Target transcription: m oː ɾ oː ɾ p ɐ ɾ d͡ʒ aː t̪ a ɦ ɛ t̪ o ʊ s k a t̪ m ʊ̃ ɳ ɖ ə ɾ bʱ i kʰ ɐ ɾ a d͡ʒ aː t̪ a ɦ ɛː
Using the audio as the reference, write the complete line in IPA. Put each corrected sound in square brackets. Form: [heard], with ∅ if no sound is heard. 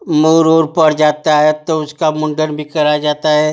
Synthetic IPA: m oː ɾ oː ɾ p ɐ ɾ d͡ʒ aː t̪ a ɦ ɛ t̪ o ʊ s k a [∅] m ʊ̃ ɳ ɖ ə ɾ bʱ i [k] ɐ ɾ a d͡ʒ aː t̪ a ɦ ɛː